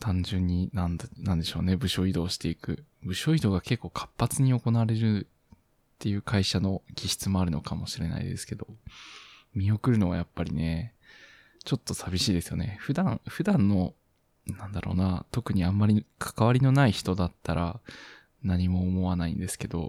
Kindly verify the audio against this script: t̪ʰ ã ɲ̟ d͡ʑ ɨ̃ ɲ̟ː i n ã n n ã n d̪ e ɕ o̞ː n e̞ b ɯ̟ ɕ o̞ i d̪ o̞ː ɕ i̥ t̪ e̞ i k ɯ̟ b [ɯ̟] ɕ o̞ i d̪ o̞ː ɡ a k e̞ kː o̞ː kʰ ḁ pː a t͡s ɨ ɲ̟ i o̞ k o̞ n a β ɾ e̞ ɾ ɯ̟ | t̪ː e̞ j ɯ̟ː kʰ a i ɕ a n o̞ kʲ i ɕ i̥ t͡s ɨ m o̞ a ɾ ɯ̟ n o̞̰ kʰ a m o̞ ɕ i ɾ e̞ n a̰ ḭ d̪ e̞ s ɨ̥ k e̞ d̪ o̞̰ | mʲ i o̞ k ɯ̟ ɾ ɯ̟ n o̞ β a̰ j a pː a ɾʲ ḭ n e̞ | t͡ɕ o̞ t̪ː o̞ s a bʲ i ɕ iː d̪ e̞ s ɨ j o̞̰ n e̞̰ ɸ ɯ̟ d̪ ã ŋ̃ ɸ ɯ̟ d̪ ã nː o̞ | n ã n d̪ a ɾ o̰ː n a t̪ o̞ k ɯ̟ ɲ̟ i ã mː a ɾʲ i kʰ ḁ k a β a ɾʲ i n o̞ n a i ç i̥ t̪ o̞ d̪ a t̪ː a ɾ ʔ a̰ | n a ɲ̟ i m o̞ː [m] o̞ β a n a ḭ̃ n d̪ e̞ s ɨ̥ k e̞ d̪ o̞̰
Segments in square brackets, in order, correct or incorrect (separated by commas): correct, correct